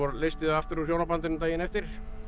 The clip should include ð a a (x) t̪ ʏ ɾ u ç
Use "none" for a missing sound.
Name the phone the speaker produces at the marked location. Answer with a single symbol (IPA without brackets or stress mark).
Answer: f